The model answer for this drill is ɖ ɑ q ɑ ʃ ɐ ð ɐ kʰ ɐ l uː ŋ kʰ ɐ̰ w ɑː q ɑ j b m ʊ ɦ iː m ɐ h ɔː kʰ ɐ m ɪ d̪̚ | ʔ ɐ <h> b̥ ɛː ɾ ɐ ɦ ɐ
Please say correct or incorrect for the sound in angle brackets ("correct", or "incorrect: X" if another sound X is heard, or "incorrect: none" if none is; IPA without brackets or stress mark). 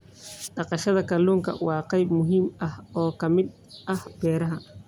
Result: correct